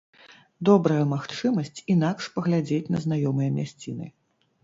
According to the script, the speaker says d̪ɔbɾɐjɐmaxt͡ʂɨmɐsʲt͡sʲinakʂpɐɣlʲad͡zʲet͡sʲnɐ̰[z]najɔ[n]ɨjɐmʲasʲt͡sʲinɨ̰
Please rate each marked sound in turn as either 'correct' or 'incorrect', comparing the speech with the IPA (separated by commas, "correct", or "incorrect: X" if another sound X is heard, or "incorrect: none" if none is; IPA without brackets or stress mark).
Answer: correct, incorrect: m